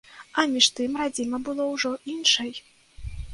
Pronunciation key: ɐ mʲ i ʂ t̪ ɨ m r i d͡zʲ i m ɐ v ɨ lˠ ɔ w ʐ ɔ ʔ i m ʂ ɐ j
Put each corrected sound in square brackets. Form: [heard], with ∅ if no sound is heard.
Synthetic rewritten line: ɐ mʲ i ʂ t̪ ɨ m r [a] d͡zʲ i m ɐ [b] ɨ lˠ ɔ w ʐ ɔ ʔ i [n] ʂ ɐ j